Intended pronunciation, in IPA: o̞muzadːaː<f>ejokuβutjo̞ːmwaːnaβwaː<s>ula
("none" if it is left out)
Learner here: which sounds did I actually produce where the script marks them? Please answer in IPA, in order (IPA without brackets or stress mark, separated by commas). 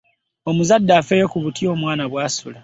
f, s